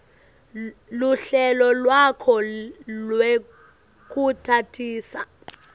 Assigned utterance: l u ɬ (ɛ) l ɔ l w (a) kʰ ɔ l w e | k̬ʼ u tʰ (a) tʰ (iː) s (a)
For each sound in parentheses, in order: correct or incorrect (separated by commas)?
correct, correct, correct, correct, correct